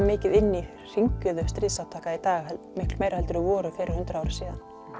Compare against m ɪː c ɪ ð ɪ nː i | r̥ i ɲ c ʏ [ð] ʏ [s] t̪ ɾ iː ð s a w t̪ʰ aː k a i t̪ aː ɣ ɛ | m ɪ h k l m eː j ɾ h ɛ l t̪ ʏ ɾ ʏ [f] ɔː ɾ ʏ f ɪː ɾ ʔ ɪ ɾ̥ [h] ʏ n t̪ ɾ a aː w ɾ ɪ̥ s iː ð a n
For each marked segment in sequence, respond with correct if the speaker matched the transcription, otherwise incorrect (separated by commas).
correct, correct, incorrect, correct